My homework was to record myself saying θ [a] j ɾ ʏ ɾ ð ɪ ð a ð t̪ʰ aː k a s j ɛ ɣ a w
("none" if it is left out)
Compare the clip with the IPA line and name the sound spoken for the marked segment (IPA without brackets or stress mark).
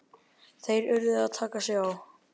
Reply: e